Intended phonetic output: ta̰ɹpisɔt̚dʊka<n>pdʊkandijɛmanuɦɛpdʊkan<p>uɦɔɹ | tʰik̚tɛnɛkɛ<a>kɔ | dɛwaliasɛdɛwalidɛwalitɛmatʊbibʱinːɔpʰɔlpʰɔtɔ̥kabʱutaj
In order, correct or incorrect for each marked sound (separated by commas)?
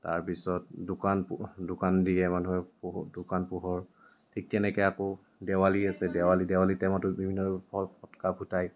correct, correct, correct